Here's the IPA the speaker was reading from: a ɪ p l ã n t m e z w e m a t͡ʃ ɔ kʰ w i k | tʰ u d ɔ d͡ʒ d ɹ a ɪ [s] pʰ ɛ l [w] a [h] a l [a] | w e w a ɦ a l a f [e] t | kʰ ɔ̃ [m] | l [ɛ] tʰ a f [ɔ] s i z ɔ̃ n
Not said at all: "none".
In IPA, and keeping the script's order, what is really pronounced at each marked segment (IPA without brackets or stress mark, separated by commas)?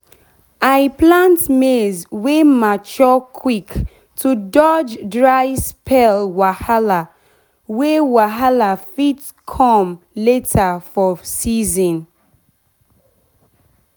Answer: s, w, h, a, i, m, e, ɔ